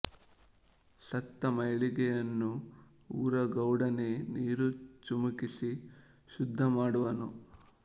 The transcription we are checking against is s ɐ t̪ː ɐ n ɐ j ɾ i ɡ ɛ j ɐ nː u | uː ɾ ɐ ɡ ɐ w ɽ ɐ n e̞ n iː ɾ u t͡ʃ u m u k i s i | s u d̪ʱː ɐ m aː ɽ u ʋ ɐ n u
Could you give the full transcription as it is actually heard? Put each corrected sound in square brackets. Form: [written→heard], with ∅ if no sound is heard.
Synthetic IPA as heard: s ɐ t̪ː ɐ [n→m] ɐ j [ɾ→ɭ] i ɡ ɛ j ɐ nː u | uː ɾ ɐ ɡ ɐ w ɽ ɐ n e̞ n iː ɾ u t͡ʃ u m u k i s i | [s→ʃ] u d̪ʱː ɐ m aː ɽ u ʋ ɐ n u